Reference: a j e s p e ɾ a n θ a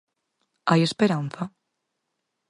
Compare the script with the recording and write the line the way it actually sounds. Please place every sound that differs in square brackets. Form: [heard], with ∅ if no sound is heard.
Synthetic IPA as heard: a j e s p e ɾ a n θ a